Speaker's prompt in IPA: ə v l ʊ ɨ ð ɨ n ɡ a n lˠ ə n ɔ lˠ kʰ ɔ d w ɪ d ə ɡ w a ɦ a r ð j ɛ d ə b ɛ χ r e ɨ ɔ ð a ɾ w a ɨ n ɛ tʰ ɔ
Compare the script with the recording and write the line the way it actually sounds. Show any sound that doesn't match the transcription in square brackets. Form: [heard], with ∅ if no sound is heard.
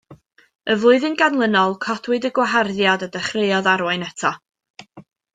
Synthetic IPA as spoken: ə v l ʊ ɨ ð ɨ n ɡ a n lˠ ə n ɔ lˠ kʰ ɔ d w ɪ d ə ɡ w a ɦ a r ð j [a] d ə [d] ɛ χ r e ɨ ɔ ð a ɾ w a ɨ n ɛ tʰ ɔ